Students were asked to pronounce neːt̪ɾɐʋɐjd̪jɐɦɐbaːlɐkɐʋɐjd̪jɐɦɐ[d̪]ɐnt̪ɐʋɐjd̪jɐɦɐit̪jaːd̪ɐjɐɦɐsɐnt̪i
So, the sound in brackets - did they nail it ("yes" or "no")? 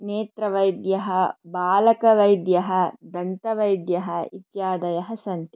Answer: yes